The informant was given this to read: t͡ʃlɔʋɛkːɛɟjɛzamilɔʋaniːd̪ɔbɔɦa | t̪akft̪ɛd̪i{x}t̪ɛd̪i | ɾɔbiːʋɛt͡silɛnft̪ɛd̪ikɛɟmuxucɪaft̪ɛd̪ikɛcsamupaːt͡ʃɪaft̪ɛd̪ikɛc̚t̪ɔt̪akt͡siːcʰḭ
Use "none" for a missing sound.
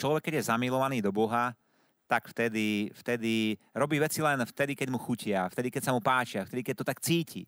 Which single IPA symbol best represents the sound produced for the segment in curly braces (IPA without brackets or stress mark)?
f